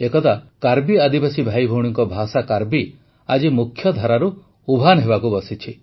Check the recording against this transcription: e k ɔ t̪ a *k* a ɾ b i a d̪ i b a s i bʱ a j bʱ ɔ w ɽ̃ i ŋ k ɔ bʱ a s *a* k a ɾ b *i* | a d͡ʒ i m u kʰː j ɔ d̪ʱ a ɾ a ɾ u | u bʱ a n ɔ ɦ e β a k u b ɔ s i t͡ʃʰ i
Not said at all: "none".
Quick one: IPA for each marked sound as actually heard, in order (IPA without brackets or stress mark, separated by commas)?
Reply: k, a, i